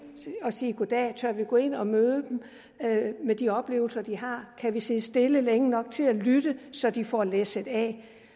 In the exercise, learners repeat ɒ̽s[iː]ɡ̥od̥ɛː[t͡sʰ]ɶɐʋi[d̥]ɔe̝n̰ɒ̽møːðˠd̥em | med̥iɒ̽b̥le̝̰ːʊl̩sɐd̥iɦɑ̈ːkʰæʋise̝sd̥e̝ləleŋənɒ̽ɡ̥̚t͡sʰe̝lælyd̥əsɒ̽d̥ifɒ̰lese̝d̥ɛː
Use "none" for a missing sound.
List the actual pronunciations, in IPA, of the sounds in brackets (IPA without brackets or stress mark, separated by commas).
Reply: iː, t͡sʰ, ɡ̥